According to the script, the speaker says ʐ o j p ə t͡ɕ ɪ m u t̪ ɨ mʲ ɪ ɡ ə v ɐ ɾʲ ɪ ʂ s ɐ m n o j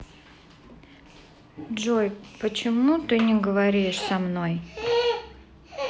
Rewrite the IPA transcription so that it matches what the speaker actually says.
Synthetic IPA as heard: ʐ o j p ə t͡ɕ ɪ m u t̪ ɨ nʲ ɪ ɡ ə v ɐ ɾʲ i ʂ s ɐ m n o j